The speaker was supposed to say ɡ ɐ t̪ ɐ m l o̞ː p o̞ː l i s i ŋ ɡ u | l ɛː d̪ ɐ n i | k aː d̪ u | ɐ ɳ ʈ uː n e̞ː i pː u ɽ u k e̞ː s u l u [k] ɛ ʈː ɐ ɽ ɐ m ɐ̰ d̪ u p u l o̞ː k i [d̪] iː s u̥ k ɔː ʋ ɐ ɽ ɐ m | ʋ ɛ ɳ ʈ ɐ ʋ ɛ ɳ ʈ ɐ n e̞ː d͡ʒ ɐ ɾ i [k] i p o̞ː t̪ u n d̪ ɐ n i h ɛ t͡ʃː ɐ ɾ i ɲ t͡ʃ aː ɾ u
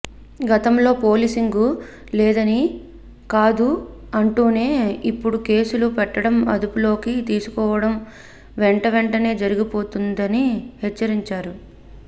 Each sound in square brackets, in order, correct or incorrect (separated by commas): incorrect, incorrect, incorrect